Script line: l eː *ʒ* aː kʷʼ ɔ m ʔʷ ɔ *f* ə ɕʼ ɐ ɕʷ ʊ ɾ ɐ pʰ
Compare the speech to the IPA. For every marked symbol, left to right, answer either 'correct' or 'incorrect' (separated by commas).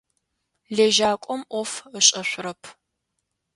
correct, correct